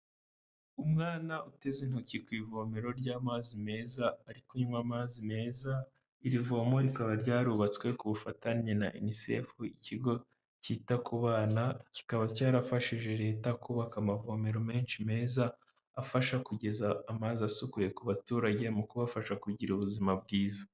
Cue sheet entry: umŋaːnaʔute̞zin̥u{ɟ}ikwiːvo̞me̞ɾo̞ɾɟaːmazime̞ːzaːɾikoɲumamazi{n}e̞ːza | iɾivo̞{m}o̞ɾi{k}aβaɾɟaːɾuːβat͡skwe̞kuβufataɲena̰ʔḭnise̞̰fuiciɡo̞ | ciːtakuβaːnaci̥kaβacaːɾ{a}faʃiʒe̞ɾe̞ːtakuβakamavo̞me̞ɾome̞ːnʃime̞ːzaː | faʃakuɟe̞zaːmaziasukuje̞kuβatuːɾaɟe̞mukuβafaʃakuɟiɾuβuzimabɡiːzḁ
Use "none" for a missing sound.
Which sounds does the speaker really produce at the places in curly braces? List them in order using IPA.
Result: c, m, m, k, a

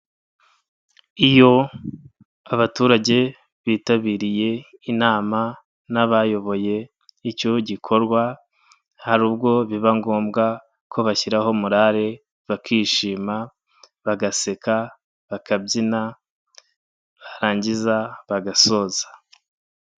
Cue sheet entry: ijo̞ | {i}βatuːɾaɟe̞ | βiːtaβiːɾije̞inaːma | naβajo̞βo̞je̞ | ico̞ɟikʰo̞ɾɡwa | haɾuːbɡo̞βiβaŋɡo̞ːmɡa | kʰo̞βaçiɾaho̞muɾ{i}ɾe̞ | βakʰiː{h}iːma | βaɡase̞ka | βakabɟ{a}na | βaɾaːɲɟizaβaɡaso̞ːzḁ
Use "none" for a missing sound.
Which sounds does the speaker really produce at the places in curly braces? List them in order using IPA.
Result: a, a, ʃ, i

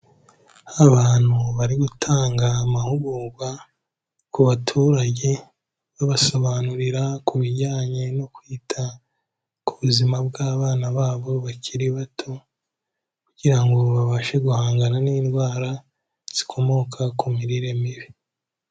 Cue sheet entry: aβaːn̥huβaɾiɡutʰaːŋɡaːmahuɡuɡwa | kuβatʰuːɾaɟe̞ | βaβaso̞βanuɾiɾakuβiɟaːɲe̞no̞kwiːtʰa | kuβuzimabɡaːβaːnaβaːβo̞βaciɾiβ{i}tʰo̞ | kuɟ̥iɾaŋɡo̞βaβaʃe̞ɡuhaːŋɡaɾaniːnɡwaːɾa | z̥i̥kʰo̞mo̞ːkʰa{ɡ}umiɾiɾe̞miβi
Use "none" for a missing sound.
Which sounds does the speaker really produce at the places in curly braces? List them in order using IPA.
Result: a, k

